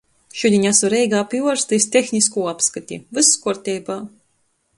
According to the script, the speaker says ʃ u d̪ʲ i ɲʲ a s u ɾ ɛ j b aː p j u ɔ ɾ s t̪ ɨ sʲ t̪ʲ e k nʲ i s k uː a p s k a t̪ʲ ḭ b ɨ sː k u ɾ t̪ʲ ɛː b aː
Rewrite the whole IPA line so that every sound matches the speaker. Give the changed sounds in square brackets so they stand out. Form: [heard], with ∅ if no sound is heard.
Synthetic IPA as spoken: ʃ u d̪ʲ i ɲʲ a s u ɾ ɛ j [ɡ] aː p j u ɔ ɾ s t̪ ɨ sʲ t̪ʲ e [x] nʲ i s k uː a p s k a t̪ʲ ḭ [v] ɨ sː k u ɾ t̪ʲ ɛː b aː